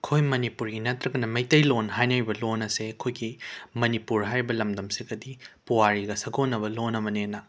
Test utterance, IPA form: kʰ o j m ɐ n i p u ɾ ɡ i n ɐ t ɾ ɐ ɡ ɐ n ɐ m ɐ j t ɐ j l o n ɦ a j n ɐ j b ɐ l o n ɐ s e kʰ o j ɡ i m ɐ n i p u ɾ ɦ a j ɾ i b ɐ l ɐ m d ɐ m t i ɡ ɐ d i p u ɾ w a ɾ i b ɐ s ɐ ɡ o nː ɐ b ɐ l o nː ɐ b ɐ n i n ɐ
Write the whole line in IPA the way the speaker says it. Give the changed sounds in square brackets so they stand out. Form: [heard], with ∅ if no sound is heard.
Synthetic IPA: kʰ o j m ɐ n i p u ɾ ɡ i n ɐ t ɾ ɐ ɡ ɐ n ɐ m ɐ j t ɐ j l o n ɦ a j n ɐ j b ɐ l o n ɐ s e kʰ o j ɡ i m ɐ n i p u ɾ ɦ a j ɾ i b ɐ l ɐ m d ɐ m [s] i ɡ ɐ d i p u [∅] w a ɾ i [ɡ] ɐ s ɐ ɡ o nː ɐ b ɐ l o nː ɐ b ɐ n [e] n ɐ